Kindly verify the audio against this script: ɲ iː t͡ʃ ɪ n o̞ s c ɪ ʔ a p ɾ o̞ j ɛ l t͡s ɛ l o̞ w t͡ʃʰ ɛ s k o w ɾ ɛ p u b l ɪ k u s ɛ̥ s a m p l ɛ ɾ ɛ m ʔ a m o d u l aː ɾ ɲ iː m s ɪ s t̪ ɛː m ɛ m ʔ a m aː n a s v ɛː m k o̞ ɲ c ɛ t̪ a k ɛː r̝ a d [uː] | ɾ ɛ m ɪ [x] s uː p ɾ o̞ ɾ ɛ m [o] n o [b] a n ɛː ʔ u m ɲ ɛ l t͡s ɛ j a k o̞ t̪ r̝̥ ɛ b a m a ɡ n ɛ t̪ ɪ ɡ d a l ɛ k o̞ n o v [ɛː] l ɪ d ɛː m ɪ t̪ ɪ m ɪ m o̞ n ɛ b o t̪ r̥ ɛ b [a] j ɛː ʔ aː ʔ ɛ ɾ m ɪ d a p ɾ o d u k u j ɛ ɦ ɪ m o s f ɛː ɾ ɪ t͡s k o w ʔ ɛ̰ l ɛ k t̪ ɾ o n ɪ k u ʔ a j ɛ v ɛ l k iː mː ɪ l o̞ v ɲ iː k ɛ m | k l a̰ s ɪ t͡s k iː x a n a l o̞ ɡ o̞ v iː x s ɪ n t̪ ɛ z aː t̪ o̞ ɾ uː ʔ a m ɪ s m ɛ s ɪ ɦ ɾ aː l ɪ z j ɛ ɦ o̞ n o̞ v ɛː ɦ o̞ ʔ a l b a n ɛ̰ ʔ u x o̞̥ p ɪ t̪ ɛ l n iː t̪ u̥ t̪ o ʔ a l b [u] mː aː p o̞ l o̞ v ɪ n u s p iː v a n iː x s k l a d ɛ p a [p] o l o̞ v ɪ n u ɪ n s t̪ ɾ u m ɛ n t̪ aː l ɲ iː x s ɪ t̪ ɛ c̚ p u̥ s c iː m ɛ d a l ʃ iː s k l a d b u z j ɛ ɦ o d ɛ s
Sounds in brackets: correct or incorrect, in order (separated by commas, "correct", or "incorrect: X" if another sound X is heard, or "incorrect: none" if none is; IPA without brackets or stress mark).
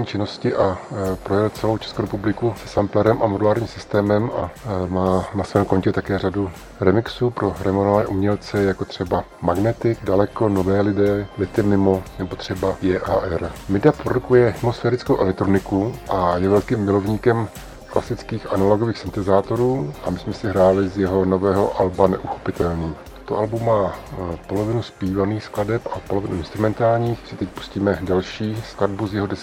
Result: incorrect: u, incorrect: k, correct, incorrect: v, correct, correct, correct, correct